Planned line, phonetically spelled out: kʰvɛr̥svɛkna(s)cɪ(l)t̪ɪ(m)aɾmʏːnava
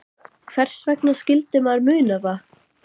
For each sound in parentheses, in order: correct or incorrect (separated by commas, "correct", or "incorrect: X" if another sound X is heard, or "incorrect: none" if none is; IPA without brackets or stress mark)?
correct, correct, correct